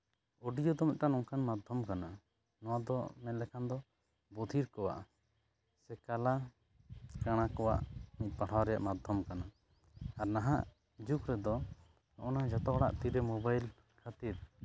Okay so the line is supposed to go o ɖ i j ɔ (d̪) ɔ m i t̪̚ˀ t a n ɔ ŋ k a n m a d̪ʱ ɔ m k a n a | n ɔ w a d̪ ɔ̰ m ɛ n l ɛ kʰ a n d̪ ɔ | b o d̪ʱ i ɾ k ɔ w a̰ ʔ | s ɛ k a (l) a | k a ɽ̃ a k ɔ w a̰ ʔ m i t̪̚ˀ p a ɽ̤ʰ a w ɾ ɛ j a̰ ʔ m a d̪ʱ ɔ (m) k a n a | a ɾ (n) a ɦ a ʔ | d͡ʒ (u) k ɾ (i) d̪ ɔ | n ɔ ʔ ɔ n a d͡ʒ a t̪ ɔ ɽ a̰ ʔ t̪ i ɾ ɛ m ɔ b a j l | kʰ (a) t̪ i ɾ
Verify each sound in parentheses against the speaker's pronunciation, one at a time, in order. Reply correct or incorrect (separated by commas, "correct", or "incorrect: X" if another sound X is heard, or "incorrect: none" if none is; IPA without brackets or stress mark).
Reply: correct, correct, correct, correct, correct, incorrect: ɛ, correct